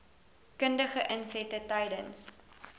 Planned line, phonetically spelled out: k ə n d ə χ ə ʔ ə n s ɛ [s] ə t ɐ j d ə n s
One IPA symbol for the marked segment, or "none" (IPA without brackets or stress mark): t